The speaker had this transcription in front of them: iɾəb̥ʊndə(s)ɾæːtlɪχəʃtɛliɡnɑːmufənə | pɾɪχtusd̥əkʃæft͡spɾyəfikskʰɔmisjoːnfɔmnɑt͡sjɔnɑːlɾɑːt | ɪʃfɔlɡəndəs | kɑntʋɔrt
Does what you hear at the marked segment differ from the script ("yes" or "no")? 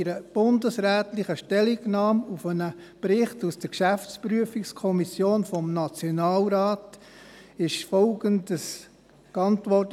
no